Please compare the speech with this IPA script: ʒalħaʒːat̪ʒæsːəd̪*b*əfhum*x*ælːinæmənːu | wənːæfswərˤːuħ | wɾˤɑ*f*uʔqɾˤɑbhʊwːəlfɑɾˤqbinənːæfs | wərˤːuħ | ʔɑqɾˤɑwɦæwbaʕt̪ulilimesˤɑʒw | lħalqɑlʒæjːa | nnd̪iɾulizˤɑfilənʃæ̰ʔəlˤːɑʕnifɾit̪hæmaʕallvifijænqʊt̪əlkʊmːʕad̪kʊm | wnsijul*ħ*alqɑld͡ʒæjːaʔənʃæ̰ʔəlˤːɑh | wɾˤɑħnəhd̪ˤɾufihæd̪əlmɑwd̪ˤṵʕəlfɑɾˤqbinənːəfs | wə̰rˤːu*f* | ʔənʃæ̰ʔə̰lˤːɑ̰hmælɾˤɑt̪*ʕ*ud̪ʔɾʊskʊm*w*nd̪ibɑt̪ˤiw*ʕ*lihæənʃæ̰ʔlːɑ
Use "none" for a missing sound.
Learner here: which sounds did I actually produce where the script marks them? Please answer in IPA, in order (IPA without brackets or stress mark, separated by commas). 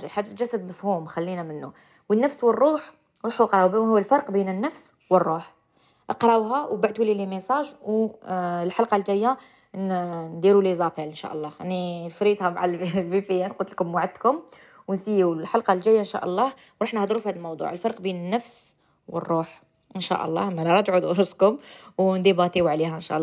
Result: m, x, ħ, ħ, ħ, ʕ, w, ʕ